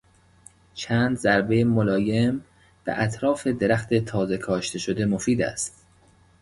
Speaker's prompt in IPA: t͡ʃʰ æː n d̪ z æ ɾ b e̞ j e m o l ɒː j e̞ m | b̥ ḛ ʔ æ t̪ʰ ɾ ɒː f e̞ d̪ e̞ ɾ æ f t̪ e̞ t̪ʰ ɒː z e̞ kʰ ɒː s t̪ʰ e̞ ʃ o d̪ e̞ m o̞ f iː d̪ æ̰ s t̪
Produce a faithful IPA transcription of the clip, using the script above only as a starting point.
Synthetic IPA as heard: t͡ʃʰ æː n d̪ z æ ɾ b e̞ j e m o l ɒː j e̞ m | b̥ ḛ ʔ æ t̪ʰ ɾ ɒː f e̞ d̪ e̞ ɾ æ x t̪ e̞ t̪ʰ ɒː z e̞ kʰ ɒː ʃ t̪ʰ e̞ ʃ o d̪ e̞ m o̞ f iː d̪ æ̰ s t̪